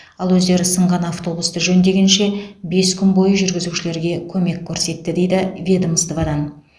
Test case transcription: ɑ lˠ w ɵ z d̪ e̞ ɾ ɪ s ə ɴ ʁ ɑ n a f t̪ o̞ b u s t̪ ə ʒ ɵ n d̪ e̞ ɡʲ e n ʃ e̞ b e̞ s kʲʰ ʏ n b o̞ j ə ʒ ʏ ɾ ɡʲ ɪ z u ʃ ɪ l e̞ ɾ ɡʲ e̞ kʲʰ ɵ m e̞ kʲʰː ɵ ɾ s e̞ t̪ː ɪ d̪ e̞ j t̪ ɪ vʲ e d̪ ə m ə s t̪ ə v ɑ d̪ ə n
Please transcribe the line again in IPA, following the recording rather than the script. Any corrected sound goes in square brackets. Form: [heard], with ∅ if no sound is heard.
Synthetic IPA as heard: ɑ lˠ w ɵ z d̪ e̞ ɾ ɪ s ə ɴ ʁ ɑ n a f t̪ o̞ b u s t̪ ə ʒ ɵ n d̪ e̞ ɡʲ e n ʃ e̞ b e̞ s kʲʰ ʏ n b o̞ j ə ʒ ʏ ɾ ɡʲ ɪ z u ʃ ɪ l e̞ ɾ ɡʲ e̞ kʲʰ ɵ m e̞ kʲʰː ɵ ɾ s e̞ t̪ː ɪ d̪ e̞ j [d̪] ɪ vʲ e d̪ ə m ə s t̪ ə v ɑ d̪ [ɑ] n

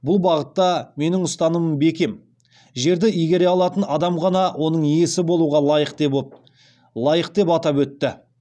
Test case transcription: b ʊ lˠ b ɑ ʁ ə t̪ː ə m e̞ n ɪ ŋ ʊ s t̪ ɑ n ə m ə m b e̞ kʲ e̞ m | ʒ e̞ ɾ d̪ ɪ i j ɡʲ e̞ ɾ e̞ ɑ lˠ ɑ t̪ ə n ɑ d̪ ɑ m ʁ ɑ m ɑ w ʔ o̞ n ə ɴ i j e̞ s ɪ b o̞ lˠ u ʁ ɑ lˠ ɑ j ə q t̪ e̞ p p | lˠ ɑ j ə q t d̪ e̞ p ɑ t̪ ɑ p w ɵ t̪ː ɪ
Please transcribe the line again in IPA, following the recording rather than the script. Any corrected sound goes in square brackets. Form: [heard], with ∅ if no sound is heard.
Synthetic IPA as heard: b ʊ lˠ b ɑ ʁ ə t̪ː [ɑ] m e̞ n ɪ ŋ ʊ s t̪ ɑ n ə m ə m b e̞ kʲ e̞ m | ʒ e̞ ɾ d̪ ɪ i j ɡʲ e̞ ɾ e̞ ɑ lˠ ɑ t̪ ə n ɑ d̪ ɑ m ʁ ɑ [n] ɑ w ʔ o̞ n ə ɴ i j e̞ s ɪ b o̞ lˠ u ʁ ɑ lˠ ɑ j ə q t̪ e̞ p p | lˠ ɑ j ə q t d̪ e̞ p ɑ t̪ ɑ p w ɵ t̪ː ɪ

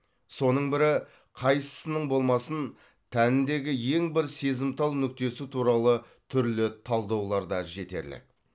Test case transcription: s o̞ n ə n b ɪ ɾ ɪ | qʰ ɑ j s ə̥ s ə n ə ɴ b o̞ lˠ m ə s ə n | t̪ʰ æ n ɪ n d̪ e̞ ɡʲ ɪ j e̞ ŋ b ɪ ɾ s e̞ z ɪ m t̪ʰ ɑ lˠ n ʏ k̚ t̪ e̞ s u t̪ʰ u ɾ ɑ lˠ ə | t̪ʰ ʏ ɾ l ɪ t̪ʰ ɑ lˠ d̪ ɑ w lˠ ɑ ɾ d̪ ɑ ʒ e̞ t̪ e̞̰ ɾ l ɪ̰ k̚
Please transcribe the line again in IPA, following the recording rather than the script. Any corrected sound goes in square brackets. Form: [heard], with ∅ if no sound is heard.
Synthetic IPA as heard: s o̞ n ə [ɴ] b ɪ ɾ ɪ | qʰ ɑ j s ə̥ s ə n ə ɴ b o̞ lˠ m [ɑ] s ə n | t̪ʰ æ n ɪ n d̪ e̞ ɡʲ ɪ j e̞ ŋ b ɪ ɾ s e̞ z ɪ m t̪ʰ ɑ lˠ n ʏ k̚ t̪ e̞ s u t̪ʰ u ɾ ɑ lˠ ə | t̪ʰ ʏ ɾ l ɪ t̪ʰ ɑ lˠ d̪ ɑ w lˠ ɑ ɾ d̪ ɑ ʒ e̞ t̪ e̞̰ ɾ l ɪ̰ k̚

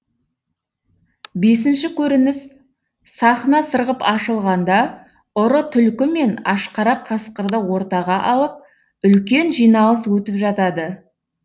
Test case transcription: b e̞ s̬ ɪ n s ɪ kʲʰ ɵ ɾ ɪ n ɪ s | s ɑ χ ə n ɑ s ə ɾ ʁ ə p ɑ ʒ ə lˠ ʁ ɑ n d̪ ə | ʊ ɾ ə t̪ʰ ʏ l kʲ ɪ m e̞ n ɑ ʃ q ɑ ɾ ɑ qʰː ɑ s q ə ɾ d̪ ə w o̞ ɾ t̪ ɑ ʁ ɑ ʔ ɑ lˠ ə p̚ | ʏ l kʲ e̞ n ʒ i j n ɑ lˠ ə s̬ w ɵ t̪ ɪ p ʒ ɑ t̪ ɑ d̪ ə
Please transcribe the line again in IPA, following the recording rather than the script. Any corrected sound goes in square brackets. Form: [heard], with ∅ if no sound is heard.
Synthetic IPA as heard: b e̞ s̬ ɪ n [ʃ] ɪ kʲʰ ɵ ɾ ɪ n ɪ s | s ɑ χ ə n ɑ s ə ɾ ʁ ə p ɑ [ʃ] ə lˠ ʁ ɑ n d̪ [ɑ] | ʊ ɾ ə t̪ʰ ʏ l kʲ ɪ m e̞ n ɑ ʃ q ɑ ɾ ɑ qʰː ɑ s q ə ɾ d̪ ə w o̞ ɾ t̪ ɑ ʁ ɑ ʔ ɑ lˠ ə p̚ | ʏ l kʲ e̞ n ʒ i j n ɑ lˠ ə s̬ w ɵ t̪ ɪ p ʒ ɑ t̪ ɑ d̪ ə

